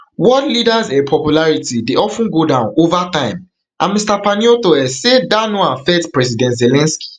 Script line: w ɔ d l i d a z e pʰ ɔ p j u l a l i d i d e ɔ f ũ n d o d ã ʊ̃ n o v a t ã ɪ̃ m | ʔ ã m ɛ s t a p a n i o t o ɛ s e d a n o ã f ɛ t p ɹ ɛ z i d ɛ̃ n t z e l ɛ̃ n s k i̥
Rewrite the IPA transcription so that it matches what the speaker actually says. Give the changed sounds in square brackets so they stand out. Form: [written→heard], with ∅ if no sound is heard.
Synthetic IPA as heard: w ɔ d l i d a z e pʰ ɔ p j u l a [l→ɹ] i [d→t] i d e ɔ f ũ n [d→ɡ] o d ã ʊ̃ n o v a t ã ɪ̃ m | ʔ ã m [ɛ→i] s t a p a n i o t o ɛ s e d a n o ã f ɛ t p ɹ ɛ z i d ɛ̃ n t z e l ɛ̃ n s k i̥